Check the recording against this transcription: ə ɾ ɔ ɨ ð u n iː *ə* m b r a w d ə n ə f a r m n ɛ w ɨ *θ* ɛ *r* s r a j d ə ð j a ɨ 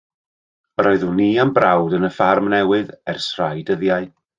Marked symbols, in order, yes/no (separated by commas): no, no, yes